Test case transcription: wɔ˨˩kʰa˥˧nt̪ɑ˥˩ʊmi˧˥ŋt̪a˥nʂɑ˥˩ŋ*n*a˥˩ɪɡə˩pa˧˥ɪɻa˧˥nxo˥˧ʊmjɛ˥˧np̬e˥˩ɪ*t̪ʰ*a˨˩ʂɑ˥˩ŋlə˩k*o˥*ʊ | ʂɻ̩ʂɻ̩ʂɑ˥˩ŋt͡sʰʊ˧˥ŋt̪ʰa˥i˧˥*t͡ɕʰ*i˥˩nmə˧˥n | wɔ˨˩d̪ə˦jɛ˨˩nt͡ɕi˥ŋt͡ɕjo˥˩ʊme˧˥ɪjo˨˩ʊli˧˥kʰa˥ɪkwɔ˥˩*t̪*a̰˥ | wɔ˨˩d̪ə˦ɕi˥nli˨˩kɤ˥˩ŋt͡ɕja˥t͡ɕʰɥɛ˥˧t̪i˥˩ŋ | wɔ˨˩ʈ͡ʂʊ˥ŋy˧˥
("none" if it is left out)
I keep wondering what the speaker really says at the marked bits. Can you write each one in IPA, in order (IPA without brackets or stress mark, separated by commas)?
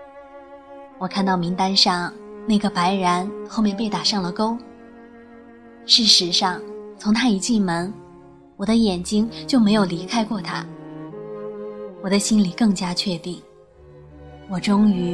n, t̪, o˥, t͡ɕ, t̪ʰ